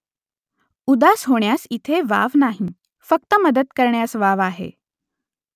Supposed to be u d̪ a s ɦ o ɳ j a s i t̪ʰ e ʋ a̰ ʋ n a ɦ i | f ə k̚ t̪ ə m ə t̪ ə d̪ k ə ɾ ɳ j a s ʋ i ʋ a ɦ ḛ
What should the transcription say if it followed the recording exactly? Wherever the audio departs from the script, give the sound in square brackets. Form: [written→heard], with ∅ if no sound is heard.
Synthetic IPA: u d̪ a s ɦ o ɳ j a s i t̪ʰ e ʋ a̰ ʋ n a ɦ i | f ə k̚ t̪ ə m ə [t̪→d̪] ə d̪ k ə ɾ ɳ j a s ʋ [i→a] ʋ a ɦ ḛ